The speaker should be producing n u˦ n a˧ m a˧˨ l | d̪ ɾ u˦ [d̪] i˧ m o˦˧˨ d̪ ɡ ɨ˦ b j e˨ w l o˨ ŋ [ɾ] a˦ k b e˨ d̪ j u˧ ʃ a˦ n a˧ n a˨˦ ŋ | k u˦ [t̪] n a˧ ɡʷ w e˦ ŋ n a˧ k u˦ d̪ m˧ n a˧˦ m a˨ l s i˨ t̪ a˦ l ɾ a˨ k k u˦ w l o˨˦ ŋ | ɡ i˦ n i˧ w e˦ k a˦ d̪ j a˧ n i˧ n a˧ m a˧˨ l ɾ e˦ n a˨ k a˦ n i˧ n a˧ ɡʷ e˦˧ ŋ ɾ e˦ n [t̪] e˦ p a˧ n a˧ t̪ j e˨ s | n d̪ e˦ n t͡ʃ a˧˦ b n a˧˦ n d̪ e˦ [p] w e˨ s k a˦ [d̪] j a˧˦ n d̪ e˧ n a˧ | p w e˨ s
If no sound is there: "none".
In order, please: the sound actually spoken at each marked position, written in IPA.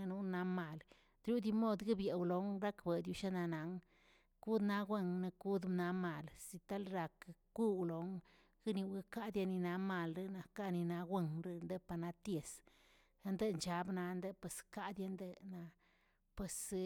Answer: d̪, ɾ, d̪, d̪, p, d̪

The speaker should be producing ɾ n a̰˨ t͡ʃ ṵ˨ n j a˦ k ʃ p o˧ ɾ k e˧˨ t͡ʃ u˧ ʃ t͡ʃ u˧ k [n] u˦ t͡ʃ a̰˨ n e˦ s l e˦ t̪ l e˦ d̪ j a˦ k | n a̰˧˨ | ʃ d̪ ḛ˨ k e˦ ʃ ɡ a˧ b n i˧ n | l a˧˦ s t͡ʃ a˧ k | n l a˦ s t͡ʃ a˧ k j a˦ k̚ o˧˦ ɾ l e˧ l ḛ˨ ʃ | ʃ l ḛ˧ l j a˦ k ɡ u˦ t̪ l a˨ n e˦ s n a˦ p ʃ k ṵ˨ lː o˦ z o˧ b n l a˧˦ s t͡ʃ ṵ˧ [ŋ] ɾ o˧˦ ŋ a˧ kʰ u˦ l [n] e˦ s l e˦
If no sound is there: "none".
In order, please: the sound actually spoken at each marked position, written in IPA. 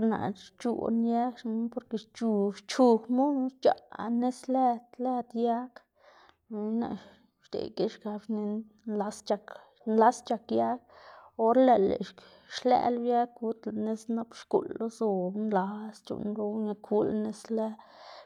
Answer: m, n, n

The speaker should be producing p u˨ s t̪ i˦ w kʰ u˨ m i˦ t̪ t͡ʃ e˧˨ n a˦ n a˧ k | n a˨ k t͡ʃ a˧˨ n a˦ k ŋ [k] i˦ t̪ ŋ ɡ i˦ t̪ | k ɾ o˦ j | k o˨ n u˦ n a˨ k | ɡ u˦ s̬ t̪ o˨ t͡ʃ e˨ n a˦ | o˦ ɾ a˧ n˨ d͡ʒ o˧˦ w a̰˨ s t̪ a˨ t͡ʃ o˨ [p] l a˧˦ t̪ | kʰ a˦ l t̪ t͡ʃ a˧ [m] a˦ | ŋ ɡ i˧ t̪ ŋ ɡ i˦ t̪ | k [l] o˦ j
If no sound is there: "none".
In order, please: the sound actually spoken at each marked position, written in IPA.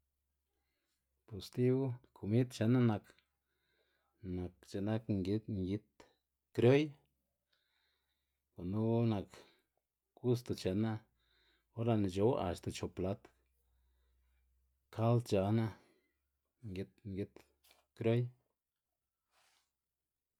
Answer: ɡ, p, n, ɾ

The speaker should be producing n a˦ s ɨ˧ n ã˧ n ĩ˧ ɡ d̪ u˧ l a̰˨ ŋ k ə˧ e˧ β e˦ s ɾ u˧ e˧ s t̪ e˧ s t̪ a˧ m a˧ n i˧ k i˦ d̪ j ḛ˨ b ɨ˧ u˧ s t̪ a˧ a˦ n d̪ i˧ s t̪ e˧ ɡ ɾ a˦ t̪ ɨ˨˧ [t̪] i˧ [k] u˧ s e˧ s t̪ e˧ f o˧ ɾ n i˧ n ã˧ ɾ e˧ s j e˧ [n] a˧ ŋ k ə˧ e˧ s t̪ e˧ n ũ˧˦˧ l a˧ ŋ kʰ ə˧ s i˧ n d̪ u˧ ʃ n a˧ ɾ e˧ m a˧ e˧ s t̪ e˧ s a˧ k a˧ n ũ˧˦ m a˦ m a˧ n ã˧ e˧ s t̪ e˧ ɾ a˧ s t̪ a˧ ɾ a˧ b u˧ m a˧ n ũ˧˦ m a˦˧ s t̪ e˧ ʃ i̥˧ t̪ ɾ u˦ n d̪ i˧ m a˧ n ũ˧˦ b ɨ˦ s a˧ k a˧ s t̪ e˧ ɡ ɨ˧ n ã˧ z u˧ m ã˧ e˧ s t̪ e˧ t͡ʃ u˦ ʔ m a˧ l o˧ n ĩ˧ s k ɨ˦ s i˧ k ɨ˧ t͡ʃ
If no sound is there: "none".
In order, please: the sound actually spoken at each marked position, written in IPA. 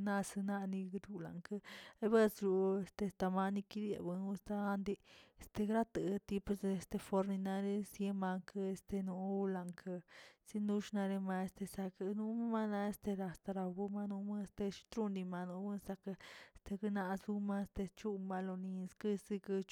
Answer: t̪, p, m

